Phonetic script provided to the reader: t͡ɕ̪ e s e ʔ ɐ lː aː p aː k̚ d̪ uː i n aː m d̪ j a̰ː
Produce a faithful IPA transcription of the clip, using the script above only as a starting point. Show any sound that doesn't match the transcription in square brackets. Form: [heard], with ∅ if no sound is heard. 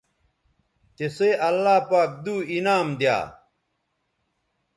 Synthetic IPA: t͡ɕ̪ e s e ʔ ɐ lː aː p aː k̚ d̪ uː i n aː m d̪ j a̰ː